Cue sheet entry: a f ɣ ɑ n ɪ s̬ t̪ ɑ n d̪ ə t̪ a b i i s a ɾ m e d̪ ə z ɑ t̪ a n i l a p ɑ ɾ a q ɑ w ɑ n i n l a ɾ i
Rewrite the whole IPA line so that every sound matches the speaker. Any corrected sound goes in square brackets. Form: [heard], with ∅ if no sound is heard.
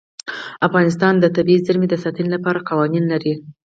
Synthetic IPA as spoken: a f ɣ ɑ n ɪ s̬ t̪ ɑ n d̪ ə t̪ a b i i [z] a ɾ m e d̪ ə [s] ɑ t̪ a n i l a p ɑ ɾ a q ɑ w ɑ n i n l a ɾ i